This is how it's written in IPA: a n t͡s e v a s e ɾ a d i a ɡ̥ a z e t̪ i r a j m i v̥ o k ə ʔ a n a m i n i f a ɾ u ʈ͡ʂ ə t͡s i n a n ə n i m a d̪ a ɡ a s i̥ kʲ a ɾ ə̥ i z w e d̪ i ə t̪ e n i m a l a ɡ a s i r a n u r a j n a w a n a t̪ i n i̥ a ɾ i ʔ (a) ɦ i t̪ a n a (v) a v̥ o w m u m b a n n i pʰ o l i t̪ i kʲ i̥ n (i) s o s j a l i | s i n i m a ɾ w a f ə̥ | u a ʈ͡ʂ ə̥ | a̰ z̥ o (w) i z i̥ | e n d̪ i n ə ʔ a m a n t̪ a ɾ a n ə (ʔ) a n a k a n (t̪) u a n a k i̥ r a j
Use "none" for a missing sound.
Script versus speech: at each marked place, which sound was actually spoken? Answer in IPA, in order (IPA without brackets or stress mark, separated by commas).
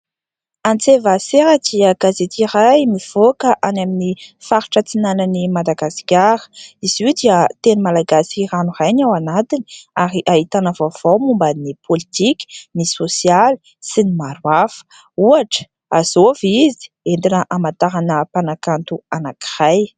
a, v, i, v, p, t̪